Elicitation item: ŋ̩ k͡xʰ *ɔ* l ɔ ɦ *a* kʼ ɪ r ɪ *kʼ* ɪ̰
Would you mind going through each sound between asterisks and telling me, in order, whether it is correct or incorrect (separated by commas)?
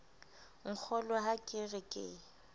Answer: correct, correct, correct